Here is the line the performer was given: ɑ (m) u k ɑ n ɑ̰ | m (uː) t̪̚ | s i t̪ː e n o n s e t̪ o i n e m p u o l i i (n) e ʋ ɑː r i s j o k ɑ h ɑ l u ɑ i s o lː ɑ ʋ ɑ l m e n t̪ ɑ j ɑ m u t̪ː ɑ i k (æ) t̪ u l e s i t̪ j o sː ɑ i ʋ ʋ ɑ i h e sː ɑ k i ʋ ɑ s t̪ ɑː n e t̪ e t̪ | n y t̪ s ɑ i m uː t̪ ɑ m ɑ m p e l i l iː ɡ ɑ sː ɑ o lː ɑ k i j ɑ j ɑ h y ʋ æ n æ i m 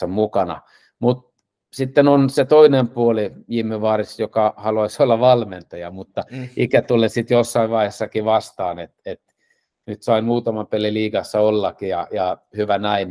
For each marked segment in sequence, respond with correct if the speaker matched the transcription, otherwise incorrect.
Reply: correct, incorrect: u, incorrect: m, correct

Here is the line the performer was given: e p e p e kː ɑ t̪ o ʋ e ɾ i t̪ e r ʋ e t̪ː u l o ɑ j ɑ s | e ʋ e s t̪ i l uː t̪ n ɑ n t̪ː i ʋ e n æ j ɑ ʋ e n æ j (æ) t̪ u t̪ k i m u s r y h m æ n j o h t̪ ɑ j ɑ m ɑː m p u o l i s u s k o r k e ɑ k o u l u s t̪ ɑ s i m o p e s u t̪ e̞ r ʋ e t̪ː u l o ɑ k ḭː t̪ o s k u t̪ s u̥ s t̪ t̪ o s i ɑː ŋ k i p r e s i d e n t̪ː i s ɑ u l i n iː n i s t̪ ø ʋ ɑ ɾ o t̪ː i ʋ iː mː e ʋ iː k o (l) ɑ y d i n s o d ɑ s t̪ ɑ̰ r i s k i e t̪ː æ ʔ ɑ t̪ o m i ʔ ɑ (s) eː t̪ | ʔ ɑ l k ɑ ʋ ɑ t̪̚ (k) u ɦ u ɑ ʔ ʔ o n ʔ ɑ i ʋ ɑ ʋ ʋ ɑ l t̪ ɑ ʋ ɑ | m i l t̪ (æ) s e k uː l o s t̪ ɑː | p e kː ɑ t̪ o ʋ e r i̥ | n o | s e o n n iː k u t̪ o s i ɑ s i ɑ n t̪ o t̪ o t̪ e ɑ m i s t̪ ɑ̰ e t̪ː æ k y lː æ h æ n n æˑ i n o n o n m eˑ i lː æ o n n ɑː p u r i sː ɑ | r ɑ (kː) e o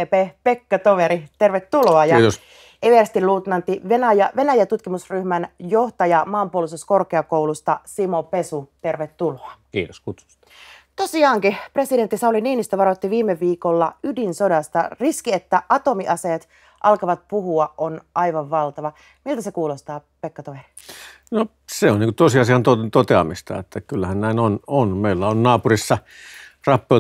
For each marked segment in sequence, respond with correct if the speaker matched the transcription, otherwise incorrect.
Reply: correct, incorrect: lː, correct, incorrect: p, correct, incorrect: pː

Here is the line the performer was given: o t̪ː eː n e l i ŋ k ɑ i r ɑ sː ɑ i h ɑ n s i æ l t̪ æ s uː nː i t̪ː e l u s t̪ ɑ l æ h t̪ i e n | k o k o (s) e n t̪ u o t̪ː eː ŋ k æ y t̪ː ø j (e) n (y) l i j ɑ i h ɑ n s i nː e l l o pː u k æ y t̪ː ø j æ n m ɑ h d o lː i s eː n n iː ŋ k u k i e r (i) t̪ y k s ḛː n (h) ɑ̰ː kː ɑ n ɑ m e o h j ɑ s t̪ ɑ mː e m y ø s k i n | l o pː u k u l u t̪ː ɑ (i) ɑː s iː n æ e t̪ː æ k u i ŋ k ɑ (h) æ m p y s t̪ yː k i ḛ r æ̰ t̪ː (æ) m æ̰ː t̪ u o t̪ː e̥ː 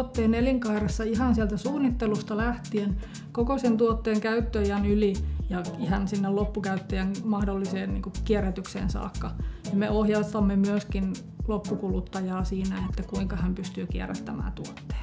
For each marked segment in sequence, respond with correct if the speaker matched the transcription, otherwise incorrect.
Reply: correct, incorrect: æ, correct, incorrect: æ, incorrect: s, incorrect: j, correct, correct

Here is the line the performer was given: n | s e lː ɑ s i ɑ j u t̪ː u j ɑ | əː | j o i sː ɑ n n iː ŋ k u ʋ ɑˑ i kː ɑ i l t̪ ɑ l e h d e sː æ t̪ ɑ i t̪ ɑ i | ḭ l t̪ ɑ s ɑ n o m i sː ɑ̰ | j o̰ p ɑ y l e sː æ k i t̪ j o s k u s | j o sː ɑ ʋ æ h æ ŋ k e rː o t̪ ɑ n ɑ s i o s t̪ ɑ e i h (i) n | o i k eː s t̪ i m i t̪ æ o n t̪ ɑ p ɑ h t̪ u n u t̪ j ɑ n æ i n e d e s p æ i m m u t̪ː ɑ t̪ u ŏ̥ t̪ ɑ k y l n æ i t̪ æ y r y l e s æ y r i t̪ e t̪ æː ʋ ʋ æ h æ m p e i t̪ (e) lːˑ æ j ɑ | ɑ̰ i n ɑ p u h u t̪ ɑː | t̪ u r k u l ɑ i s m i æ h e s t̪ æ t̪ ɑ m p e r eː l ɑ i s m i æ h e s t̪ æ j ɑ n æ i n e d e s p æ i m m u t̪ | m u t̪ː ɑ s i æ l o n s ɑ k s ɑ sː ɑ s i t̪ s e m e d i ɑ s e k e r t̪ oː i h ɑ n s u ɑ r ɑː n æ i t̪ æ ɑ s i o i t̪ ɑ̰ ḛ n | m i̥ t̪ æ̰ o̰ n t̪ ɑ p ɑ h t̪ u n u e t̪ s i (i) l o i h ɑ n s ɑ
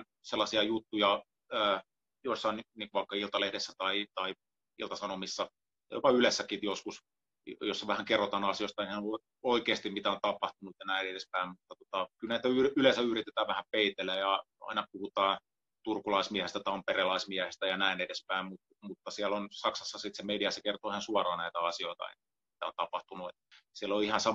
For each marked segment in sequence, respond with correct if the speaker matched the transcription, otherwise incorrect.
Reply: incorrect: æ, correct, incorrect: æ

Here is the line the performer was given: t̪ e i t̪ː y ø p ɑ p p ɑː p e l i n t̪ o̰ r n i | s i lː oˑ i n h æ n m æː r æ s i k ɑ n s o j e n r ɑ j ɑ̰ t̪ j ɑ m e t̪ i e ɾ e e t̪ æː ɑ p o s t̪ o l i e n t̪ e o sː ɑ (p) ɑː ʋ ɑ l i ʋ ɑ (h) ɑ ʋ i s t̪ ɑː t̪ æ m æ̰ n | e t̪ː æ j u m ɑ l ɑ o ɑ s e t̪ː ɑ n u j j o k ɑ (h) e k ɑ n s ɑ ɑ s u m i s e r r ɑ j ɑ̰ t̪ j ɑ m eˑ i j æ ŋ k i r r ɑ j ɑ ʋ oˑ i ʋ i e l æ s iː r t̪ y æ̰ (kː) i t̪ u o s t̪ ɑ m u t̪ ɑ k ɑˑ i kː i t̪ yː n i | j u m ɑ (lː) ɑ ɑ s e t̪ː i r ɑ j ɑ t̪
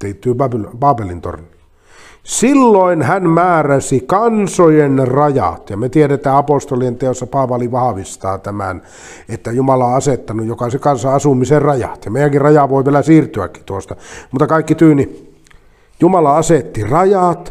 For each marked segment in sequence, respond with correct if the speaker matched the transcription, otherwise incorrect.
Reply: correct, correct, incorrect: s, correct, incorrect: l

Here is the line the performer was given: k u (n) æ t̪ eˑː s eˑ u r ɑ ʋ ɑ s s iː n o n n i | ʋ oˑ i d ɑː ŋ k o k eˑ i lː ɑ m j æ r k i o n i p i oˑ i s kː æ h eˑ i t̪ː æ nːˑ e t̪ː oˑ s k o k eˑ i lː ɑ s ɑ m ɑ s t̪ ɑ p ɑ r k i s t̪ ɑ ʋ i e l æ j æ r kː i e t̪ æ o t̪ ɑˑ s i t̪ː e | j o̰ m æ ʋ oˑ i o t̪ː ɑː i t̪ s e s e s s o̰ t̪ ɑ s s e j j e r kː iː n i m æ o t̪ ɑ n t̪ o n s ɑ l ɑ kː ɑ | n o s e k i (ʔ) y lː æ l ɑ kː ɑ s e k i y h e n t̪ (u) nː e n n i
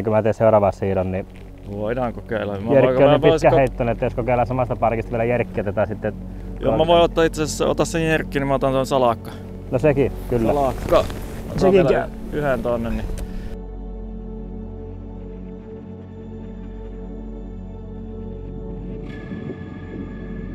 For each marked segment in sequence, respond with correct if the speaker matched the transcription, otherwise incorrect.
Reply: incorrect: m, incorrect: k, incorrect: o

